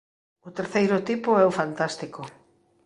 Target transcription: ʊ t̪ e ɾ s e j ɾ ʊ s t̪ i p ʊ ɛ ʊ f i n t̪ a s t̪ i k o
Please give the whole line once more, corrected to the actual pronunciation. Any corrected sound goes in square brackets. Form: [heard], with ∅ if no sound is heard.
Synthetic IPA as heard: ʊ t̪ e ɾ [θ] e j ɾ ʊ [∅] t̪ i p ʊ ɛ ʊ f [a] n t̪ a s t̪ i k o